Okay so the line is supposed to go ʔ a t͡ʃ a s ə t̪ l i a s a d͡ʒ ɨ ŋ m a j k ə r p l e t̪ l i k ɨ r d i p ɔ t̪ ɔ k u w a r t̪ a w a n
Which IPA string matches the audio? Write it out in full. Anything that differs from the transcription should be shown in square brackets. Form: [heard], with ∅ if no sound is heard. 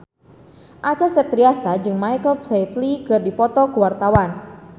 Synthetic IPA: ʔ a t͡ʃ a s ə t̪ [ɾ] i a s a d͡ʒ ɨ ŋ m a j k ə [l] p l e t̪ l i k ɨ r d i p ɔ t̪ ɔ k u w a r t̪ a w a n